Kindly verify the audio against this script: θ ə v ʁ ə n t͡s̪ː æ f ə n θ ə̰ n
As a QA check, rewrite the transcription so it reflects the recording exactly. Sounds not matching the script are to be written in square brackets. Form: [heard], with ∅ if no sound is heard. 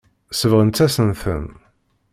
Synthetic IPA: [s] ə v ʁ ə n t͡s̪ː æ [s] ə n θ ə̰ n